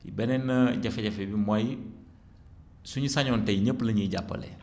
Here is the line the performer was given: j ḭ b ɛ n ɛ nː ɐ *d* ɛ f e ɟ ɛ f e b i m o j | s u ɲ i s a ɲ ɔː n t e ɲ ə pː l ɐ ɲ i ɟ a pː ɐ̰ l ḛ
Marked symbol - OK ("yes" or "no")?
no